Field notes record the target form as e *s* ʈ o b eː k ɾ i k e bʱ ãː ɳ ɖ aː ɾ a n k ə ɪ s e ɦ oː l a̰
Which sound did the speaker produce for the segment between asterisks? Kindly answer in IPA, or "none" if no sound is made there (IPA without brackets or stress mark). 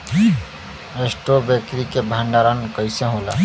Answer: s